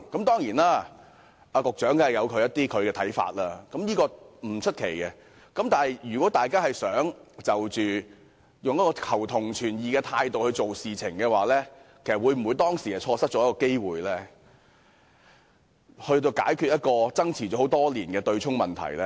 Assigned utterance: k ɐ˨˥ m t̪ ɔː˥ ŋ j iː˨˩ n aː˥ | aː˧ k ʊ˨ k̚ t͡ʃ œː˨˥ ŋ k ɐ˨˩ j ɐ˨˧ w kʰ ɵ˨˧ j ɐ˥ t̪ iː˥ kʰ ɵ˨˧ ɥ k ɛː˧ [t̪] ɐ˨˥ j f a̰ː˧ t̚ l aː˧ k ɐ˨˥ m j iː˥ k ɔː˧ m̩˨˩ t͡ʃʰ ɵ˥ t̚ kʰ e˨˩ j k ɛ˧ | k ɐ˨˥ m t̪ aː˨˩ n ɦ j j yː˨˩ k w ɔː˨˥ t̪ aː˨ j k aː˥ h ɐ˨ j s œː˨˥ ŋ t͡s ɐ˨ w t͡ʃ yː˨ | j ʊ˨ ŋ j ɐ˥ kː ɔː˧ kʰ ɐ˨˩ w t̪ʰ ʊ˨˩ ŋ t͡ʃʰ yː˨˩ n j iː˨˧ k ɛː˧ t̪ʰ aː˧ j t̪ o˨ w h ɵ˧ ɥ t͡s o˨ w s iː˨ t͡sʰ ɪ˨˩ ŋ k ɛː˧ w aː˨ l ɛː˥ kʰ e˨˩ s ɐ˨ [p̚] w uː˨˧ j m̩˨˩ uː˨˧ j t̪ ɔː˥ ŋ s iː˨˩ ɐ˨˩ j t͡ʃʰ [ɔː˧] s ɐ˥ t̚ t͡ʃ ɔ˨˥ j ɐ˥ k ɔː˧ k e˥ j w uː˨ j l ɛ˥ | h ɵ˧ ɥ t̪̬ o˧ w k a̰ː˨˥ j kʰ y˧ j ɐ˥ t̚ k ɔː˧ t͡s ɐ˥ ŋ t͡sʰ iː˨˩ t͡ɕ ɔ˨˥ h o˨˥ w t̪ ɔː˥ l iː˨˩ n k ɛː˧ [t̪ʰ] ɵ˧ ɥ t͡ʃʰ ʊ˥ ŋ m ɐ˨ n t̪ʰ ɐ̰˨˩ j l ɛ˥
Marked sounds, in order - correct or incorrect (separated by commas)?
incorrect, incorrect, correct, incorrect